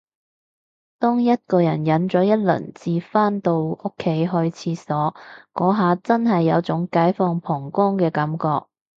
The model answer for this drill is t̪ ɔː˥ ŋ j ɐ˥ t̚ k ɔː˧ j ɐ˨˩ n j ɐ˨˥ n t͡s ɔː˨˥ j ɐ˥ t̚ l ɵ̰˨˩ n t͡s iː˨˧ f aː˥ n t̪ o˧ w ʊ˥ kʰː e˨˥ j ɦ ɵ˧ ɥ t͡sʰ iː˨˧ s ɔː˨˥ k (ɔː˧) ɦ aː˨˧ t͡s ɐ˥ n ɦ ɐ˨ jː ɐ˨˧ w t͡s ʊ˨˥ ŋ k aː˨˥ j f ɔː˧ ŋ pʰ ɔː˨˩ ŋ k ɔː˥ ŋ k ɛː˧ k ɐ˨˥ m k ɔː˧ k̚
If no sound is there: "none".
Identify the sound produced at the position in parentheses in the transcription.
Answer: ɔː˨˥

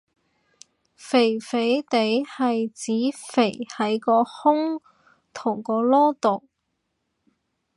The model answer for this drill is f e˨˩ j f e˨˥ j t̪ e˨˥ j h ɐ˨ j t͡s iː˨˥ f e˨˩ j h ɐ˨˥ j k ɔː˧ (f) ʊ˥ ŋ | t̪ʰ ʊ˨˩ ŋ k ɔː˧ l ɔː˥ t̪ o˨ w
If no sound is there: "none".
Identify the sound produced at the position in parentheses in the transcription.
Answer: h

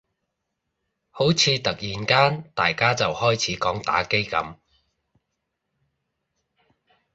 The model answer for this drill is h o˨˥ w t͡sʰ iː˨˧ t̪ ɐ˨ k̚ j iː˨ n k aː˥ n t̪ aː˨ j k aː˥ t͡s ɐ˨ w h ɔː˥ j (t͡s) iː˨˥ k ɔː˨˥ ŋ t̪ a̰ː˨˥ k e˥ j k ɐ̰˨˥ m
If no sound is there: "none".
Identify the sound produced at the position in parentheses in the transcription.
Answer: t͡sʰ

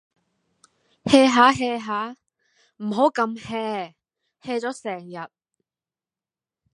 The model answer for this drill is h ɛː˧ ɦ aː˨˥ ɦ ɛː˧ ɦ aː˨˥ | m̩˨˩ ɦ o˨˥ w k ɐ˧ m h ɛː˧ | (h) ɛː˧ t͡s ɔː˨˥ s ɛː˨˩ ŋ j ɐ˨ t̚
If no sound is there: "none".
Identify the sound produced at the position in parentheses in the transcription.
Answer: h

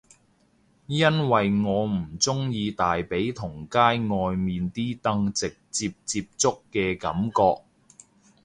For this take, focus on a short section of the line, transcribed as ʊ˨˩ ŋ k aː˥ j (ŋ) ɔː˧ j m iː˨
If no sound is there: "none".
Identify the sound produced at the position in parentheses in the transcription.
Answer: ŋ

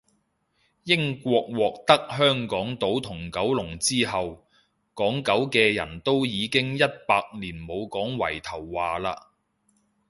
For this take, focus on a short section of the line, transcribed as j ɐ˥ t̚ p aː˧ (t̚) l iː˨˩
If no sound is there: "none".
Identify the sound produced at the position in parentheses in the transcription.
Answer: k̚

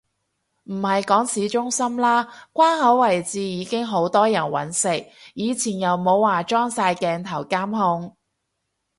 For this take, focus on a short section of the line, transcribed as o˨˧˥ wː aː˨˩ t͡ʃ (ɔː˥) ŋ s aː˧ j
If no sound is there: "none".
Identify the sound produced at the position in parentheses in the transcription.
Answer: ɔː˥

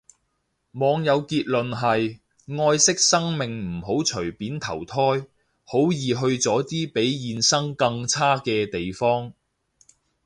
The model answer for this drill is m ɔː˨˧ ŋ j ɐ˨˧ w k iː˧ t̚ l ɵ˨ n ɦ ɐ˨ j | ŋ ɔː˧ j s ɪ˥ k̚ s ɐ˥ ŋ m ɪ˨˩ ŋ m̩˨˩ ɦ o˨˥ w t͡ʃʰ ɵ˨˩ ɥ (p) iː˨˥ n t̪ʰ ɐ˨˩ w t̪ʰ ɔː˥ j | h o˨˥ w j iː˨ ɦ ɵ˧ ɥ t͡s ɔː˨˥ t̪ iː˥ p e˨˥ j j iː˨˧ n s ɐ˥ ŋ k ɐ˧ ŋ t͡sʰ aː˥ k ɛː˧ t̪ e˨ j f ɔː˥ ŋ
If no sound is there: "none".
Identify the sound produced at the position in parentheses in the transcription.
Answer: p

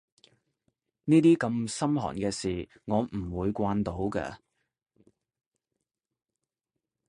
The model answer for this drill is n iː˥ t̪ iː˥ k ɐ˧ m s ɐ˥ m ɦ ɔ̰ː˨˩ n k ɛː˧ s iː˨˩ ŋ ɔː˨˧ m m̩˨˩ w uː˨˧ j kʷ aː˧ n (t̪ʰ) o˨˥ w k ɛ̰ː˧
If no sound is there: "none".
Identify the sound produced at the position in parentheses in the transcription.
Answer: t̪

